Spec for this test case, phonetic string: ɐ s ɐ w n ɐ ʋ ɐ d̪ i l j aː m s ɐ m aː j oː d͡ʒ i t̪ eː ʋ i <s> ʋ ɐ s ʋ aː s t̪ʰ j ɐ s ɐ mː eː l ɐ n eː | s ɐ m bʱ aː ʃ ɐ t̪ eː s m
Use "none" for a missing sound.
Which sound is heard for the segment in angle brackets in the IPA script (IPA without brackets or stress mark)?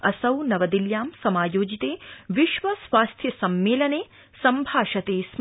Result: ʃ